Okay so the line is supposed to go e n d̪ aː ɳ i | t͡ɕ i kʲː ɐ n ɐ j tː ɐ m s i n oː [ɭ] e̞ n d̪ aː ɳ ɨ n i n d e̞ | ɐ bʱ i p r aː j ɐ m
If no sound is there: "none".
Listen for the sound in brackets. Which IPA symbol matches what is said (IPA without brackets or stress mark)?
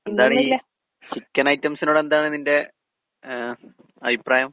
ɽ